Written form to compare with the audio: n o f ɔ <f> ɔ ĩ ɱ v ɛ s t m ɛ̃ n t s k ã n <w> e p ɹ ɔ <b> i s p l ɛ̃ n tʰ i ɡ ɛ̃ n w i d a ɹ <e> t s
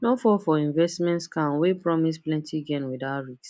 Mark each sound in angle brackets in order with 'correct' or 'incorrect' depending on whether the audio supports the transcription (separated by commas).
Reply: correct, correct, incorrect, incorrect